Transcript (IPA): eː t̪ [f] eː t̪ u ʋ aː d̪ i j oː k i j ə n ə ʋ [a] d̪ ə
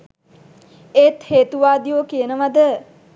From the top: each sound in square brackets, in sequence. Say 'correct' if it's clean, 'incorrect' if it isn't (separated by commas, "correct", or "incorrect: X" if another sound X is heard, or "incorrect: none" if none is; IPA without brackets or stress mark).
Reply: incorrect: h, correct